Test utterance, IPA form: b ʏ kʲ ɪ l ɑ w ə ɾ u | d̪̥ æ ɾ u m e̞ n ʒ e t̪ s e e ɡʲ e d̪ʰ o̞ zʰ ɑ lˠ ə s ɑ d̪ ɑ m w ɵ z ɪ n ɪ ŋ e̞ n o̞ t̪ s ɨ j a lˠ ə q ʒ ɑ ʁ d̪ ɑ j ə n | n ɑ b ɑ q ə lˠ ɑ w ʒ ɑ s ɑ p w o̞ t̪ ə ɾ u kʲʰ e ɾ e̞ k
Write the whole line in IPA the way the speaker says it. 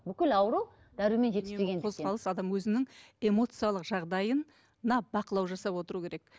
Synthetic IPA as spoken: b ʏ kʲ ɪ l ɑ w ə ɾ u | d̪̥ æ ɾ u m e̞ n ʒ e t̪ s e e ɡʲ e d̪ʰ o̞ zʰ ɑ lˠ ə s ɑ d̪ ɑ m w ɵ z ɪ n ɪ ŋ e̞ m o̞ t̪ s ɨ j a lˠ ə q ʒ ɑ ʁ d̪ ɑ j ə n | n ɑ b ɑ q ə lˠ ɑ w ʒ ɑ s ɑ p w o̞ t̪ ə ɾ u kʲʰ e ɾ e̞ k